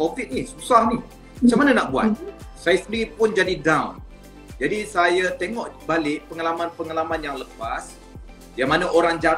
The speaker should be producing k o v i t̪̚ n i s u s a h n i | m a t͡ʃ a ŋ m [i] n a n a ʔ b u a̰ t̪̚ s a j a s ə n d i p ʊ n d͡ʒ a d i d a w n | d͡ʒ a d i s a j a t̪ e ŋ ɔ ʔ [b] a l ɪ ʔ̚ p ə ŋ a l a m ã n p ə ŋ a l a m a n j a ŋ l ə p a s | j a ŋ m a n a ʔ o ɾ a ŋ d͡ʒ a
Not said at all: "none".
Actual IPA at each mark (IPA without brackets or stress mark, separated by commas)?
a, b